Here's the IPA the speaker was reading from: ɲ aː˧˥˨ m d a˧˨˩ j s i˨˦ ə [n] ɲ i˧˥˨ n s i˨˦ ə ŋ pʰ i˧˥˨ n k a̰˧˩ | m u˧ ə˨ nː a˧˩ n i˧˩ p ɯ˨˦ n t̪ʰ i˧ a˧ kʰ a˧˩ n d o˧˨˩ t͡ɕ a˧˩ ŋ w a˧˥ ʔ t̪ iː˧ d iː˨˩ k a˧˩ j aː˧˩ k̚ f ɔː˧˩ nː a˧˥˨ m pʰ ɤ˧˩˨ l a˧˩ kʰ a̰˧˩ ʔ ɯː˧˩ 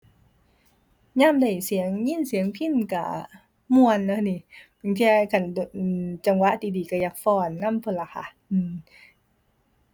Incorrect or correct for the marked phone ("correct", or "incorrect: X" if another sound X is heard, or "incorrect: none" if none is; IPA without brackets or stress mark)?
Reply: incorrect: ŋ